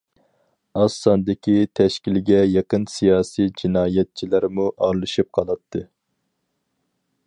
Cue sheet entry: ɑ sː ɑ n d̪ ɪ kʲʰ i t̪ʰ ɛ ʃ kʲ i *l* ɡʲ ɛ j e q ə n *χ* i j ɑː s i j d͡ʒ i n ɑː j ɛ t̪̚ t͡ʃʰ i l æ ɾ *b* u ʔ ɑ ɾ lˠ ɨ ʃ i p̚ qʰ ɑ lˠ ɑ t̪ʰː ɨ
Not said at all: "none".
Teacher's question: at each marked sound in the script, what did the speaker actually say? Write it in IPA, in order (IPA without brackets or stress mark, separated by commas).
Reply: l, s, m